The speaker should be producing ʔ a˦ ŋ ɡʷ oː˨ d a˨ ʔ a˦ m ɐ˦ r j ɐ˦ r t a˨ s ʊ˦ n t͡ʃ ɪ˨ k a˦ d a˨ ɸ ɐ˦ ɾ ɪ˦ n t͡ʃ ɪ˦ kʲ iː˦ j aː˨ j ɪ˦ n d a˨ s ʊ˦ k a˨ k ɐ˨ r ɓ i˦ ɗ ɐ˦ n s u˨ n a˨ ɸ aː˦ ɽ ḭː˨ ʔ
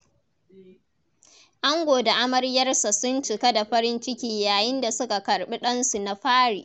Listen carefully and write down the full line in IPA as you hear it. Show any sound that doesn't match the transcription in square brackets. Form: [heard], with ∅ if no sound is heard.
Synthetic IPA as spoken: ʔ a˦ ŋ ɡʷ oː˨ d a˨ ʔ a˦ m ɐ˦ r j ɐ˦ r [s] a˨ s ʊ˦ n t͡ʃ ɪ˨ k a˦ d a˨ ɸ ɐ˦ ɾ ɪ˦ n t͡ʃ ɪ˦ kʲ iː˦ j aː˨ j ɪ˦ n d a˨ s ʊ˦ k a˨ k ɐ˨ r ɓ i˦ ɗ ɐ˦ n s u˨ n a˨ ɸ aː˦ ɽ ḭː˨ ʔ